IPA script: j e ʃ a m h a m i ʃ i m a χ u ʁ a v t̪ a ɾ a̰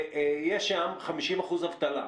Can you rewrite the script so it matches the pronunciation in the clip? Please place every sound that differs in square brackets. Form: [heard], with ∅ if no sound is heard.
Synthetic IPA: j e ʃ a m [χ] a m i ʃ i m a χ u [z] a v t̪ a [l] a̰